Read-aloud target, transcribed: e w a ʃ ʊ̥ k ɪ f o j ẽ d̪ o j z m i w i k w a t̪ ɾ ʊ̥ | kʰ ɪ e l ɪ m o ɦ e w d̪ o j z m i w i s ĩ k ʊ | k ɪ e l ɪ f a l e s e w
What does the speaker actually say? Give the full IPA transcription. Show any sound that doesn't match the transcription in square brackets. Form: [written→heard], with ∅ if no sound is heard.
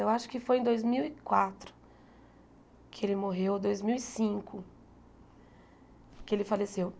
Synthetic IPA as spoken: e w a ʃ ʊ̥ k ɪ f o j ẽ d̪ o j z m i w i k w a t̪ ɾ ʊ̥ | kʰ ɪ e l ɪ m o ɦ e w d̪ o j z m i w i s ĩ k ʊ | k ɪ e l ɪ f a l e s e w